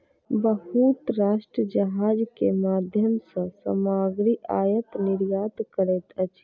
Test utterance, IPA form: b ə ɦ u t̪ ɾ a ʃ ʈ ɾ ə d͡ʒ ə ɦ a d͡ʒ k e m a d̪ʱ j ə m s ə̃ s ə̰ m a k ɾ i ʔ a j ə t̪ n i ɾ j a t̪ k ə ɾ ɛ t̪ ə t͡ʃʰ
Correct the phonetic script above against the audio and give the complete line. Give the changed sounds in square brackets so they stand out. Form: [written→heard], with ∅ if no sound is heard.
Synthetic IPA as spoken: b ə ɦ u t̪ ɾ a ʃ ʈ ɾ ə d͡ʒ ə ɦ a d͡ʒ k e m a d̪ʱ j ə m s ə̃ s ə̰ m a [k→ɡ] ɾ i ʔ a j ə t̪ n i ɾ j a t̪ k ə ɾ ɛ t̪ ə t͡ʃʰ